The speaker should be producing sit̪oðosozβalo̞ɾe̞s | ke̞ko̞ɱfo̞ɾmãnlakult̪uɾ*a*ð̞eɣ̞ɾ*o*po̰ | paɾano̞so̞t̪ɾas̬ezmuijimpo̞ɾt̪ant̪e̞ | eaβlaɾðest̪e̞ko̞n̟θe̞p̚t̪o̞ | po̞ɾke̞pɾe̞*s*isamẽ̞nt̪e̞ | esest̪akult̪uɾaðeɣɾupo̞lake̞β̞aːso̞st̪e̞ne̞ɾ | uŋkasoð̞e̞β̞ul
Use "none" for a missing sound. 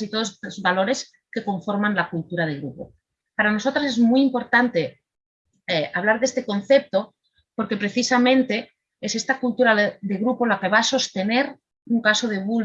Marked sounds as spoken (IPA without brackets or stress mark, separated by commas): a, u, θ